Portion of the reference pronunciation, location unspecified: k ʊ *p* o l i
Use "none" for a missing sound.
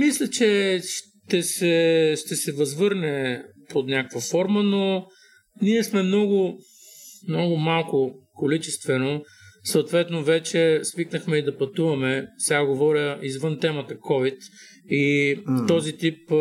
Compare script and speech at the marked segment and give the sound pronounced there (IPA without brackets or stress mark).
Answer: k